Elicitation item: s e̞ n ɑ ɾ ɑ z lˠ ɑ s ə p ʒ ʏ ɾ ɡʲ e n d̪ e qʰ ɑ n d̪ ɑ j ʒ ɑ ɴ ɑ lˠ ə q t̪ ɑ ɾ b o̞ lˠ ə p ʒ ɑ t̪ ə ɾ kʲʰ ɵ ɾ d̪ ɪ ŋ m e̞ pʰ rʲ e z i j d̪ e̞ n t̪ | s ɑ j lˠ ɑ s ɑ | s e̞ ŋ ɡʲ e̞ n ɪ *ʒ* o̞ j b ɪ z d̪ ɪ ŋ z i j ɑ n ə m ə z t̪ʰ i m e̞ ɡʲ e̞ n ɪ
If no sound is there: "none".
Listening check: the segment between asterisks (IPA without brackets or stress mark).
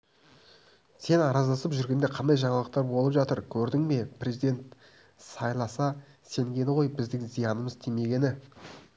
ʁ